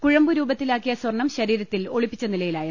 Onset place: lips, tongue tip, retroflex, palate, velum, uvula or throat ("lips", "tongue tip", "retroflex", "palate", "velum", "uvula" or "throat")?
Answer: velum